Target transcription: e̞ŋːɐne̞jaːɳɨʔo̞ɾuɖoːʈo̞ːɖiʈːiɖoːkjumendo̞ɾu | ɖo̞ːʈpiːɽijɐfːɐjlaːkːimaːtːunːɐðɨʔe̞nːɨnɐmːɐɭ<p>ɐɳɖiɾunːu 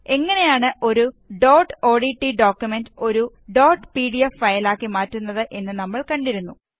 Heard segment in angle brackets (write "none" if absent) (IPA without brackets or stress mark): k